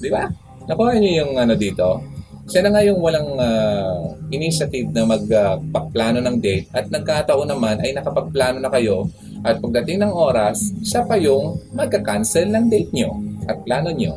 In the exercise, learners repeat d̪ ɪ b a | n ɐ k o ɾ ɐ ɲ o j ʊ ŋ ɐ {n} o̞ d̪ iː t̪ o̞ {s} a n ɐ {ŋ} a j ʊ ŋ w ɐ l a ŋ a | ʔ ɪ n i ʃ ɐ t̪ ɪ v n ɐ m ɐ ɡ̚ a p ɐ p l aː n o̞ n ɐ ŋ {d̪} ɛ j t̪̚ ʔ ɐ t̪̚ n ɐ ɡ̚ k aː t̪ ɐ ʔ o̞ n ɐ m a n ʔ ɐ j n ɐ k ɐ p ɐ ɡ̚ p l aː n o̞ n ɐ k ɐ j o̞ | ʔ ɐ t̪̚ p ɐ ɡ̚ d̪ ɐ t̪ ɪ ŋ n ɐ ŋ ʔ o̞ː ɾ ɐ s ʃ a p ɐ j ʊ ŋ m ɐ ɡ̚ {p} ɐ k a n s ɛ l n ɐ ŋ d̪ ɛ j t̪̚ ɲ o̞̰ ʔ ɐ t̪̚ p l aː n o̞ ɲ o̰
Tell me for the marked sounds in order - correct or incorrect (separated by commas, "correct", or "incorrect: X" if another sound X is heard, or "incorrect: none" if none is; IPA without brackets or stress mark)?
correct, incorrect: ʃ, correct, correct, incorrect: k